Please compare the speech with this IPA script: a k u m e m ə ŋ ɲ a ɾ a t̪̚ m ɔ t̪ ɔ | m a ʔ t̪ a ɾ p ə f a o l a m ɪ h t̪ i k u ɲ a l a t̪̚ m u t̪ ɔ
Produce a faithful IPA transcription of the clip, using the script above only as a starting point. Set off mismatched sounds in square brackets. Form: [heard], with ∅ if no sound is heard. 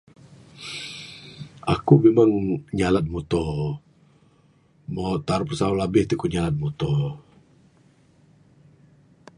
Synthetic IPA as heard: a k u m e m [a] ŋ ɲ a [l] a t̪̚ m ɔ t̪ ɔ | m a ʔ t̪ a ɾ p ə [s] a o l a [b] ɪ h t̪ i k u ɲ a l a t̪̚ m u t̪ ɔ